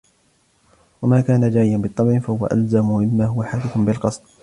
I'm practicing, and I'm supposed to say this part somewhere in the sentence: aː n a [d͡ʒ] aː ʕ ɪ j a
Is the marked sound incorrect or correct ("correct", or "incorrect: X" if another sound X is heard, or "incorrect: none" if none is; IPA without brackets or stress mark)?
correct